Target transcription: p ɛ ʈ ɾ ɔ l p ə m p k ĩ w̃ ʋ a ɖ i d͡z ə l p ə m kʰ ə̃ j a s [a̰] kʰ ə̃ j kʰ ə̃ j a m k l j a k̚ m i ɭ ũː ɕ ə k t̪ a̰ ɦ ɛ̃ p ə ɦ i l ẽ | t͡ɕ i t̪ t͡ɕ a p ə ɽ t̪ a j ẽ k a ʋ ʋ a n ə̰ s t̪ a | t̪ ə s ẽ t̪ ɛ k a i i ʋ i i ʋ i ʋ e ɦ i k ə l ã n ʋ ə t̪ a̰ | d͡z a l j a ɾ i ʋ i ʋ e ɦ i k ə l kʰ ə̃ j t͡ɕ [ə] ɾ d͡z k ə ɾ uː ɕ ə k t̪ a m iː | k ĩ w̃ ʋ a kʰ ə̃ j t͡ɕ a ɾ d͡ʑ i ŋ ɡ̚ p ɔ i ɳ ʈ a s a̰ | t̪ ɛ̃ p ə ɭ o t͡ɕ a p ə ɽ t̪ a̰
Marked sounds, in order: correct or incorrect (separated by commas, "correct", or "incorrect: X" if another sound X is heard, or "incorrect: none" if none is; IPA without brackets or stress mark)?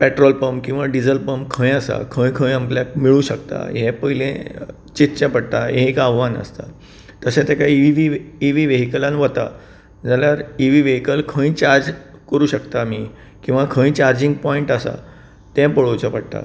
correct, incorrect: a